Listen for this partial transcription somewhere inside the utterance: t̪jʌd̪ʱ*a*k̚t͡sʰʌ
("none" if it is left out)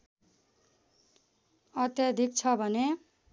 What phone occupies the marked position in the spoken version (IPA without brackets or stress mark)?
i